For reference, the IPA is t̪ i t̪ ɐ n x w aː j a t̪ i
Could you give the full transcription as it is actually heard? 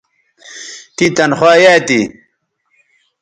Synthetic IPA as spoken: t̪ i t̪ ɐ n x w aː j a t̪ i